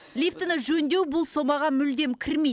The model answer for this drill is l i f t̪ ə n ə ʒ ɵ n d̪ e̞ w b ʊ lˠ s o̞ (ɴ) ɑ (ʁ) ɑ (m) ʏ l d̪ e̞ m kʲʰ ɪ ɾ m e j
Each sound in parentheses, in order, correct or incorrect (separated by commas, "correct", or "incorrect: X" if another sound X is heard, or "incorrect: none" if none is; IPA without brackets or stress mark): incorrect: m, correct, correct